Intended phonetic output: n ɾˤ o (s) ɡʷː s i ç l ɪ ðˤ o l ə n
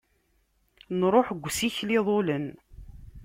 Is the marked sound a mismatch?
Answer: yes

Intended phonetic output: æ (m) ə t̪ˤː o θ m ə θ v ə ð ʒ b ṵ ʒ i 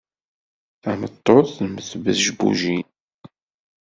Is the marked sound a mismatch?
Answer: no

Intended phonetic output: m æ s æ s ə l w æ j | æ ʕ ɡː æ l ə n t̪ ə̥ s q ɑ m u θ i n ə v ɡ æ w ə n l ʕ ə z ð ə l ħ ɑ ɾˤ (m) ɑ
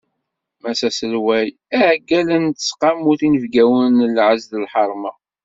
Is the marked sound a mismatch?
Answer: no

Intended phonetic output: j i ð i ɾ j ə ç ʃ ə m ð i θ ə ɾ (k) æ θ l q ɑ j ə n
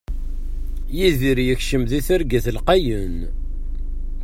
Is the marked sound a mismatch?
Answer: yes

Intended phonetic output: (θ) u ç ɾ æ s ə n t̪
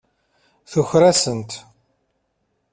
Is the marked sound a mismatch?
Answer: no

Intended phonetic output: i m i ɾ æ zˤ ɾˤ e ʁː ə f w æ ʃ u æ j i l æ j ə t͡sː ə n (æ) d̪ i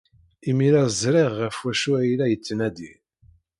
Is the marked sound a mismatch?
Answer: no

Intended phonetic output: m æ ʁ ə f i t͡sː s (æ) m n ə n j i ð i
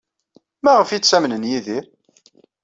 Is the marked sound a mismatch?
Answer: no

